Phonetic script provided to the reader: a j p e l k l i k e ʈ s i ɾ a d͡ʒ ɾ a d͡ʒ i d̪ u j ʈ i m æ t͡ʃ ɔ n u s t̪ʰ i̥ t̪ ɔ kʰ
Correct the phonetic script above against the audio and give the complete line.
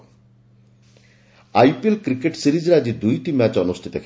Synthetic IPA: a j p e l k ɾ i k e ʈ s i ɾ i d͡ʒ ɾ a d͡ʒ i d̪ u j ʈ i m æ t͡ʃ ɔ n u s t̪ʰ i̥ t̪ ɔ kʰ